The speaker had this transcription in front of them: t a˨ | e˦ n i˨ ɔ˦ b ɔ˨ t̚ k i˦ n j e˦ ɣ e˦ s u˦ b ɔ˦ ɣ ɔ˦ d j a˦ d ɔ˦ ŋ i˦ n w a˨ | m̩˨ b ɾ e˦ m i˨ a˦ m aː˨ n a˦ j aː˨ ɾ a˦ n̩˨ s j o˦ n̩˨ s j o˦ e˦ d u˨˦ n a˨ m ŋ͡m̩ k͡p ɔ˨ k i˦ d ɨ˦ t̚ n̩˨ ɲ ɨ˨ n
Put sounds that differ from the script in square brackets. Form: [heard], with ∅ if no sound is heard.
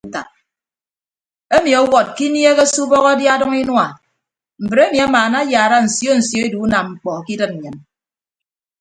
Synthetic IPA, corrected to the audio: t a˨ | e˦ [m] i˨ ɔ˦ [w] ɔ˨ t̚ k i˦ n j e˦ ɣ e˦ s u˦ b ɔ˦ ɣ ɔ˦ d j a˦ d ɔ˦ ŋ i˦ n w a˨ | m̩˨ b ɾ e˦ m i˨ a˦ m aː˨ n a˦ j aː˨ ɾ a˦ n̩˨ s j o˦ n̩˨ s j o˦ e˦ d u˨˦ n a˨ m ŋ͡m̩ k͡p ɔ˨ k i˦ d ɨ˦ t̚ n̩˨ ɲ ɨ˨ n